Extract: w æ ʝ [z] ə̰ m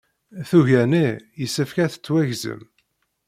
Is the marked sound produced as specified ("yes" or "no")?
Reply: yes